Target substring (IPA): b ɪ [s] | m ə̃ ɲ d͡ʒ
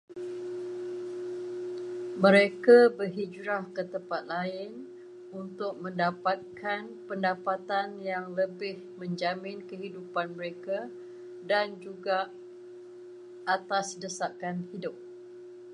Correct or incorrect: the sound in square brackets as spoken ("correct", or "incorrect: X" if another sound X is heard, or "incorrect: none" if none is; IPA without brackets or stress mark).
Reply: incorrect: h